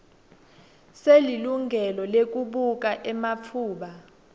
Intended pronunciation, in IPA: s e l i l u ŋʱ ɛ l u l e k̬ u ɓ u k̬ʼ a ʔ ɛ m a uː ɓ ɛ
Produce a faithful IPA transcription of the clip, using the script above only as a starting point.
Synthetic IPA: s e l i l u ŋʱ ɛ l ɔ l e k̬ u ɓ u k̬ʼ a ʔ ɛ m a uː ɓ a

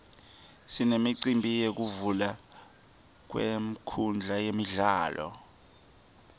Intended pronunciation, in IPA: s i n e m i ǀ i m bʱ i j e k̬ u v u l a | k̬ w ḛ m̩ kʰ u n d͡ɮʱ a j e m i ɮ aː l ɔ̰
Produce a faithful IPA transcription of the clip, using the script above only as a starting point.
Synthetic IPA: s i n e m i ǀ i m bʱ i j e k̬ u v u l a | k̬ w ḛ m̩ kʰ u n d͡ɮʱ a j e m i ɮ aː l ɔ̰

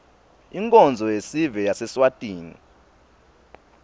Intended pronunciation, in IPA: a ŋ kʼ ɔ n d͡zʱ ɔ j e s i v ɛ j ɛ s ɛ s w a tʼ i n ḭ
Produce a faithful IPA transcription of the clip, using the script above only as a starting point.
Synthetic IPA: i ŋ kʼ ɔ n d͡zʱ ɔ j e s i v ɛ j a s ɛ s w a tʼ iː n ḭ

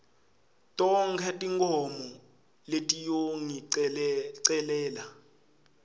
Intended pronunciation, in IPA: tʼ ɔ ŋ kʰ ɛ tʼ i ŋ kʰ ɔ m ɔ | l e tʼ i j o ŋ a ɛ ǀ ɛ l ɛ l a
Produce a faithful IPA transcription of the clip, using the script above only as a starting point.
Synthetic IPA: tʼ ɔ ŋ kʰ ɛ tʼ i ŋ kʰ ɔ m ɔ | l e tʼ i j o ŋ i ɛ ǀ ɛ l ɛː l a

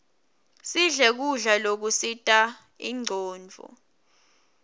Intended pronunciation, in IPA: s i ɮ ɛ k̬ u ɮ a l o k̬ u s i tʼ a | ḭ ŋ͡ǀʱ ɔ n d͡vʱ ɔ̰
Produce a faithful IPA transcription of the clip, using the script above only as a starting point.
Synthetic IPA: s i ɮ ɛ k̬ u ɮ a l o k̬ u s i tʼ a | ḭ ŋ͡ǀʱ ɔː n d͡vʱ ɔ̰

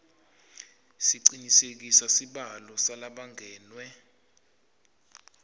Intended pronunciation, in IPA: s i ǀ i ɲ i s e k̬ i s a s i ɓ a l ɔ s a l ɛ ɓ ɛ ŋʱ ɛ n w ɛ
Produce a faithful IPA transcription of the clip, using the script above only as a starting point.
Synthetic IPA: s i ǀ i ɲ i s e k̬ i s a s i ɓ a l ɔ s a l a ɓ a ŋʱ ɛː n w ɛ

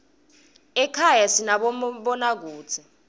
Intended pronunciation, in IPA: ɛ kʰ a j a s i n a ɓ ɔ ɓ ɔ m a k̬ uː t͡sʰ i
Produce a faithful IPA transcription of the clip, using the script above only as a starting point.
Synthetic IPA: ɛ kʰ a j a s i n a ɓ ɔ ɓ ɔ n a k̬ uː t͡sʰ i

